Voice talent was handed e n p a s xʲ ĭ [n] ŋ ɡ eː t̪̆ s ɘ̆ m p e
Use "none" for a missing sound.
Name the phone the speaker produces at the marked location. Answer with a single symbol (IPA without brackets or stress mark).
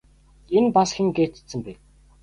none